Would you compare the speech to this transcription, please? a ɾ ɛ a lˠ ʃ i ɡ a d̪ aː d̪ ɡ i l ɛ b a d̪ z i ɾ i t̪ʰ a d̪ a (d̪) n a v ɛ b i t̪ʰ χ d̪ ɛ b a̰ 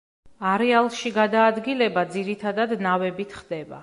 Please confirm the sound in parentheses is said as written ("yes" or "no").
yes